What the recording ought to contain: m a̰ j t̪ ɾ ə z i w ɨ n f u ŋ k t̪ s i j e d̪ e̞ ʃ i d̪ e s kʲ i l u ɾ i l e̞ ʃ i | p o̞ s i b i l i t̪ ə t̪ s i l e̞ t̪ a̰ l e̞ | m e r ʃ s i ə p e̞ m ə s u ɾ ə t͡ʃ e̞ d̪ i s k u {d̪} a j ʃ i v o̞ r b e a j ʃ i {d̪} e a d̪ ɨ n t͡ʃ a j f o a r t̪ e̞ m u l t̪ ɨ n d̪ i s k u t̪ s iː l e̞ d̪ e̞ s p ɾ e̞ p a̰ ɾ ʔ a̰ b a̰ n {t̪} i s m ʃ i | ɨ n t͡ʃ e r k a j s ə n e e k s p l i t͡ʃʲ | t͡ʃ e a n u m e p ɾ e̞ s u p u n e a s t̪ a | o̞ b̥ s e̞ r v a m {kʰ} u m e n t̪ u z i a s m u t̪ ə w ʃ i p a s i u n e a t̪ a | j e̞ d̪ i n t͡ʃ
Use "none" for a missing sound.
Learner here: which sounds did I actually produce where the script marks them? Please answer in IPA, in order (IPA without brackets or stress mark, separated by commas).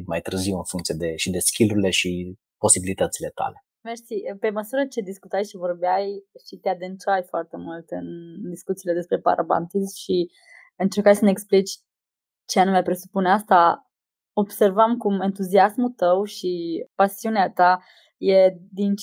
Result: t̪, t̪, t̪, k